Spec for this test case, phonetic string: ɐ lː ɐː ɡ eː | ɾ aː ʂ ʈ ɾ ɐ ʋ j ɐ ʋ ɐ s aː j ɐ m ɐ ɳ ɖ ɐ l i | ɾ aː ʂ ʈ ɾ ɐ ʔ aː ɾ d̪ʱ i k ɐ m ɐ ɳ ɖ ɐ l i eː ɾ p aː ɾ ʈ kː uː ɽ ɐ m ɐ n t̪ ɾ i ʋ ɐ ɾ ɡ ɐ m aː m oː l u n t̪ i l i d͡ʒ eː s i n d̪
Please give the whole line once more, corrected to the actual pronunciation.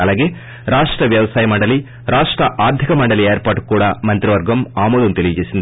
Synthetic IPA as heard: ɐ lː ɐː ɡ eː | ɾ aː ʂ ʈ ɾ ɐ ʋ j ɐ ʋ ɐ s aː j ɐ m ɐ ɳ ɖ ɐ l i | ɾ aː ʂ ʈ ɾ ɐ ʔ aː ɾ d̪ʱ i k ɐ m ɐ ɳ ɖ ɐ l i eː ɾ p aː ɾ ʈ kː uː ɽ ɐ m ɐ n t̪ ɾ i ʋ ɐ ɾ ɡ ɐ m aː m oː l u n t̪ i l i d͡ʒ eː s i n d̪